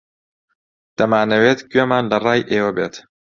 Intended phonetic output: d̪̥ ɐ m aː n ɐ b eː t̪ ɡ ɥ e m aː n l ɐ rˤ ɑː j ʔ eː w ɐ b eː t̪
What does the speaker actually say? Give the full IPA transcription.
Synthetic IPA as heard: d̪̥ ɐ m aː n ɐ w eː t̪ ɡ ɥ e m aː n l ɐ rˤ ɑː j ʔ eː w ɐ b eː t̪